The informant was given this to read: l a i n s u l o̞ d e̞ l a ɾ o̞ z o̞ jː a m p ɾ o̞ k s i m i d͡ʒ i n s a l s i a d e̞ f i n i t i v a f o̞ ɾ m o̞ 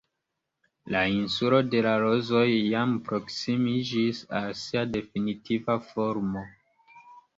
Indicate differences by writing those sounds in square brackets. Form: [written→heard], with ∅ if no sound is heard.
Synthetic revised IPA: l a i n s u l o̞ d e̞ l a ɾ o̞ z o̞ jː a m p ɾ o̞ k s i m i d͡ʒ i [n→∅] s a l s i a d e̞ f i n i t i v a f o̞ ɾ m o̞